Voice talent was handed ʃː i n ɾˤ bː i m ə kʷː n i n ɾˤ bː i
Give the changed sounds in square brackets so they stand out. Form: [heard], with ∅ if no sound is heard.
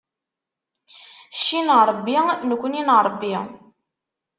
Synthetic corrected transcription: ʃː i n ɾˤ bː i [n] ə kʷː n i n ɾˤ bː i